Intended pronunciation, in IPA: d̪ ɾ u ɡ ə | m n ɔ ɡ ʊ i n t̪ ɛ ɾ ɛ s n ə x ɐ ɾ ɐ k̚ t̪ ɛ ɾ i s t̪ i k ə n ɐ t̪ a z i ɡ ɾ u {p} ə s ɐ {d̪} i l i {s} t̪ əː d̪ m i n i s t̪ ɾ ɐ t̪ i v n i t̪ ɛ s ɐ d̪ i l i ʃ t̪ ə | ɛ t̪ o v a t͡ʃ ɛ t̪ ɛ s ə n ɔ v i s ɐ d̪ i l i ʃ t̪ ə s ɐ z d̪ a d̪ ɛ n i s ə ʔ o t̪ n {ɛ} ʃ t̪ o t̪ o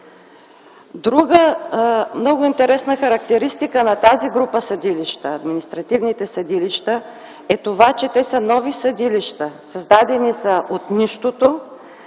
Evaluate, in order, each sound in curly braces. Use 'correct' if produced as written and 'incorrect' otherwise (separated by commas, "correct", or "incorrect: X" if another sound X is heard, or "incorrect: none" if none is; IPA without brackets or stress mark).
correct, correct, incorrect: ʃ, incorrect: i